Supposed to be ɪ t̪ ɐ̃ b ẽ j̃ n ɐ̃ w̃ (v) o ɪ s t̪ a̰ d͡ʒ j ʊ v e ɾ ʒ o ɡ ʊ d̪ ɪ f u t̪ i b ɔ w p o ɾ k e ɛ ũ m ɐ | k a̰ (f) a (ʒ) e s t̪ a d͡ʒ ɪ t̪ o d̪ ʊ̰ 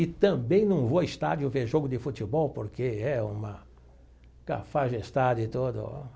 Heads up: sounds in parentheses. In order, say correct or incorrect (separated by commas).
correct, correct, correct